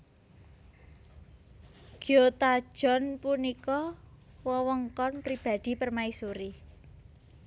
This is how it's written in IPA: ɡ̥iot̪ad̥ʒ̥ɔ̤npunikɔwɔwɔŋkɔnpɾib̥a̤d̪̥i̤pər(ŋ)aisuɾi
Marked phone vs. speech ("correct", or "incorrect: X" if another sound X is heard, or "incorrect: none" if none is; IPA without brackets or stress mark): incorrect: m